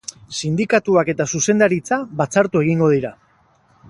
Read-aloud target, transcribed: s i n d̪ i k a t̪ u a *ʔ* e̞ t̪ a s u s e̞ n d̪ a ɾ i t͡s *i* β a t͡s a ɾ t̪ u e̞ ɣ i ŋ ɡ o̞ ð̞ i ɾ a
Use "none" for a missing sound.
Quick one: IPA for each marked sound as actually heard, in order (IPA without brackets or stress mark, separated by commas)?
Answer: k, a